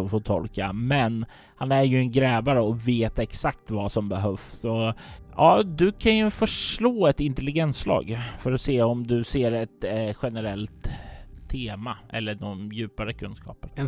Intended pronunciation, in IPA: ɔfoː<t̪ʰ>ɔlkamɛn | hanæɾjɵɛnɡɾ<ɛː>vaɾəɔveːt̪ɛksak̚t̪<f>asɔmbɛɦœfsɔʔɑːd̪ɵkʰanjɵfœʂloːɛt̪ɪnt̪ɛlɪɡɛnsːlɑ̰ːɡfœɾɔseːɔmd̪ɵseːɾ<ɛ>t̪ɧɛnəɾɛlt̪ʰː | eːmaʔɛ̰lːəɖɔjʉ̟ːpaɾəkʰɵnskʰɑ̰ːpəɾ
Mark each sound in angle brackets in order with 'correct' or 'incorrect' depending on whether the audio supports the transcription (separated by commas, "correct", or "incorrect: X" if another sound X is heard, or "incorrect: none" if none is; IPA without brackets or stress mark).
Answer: correct, correct, incorrect: v, correct